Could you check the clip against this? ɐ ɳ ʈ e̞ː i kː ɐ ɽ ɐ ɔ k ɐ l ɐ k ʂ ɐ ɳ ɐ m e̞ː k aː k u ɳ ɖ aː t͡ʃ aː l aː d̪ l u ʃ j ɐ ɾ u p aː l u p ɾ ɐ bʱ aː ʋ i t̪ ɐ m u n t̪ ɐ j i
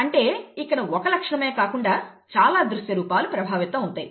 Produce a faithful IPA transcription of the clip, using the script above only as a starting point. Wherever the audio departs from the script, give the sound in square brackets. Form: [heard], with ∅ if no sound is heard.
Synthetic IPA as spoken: ɐ ɳ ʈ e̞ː i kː ɐ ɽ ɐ ɔ k ɐ l ɐ k ʂ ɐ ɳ ɐ m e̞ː k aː k u ɳ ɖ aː t͡ʃ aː l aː d̪ [ɾ] u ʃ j ɐ ɾ [uː] p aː l u p ɾ ɐ bʱ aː ʋ i t̪ ɐ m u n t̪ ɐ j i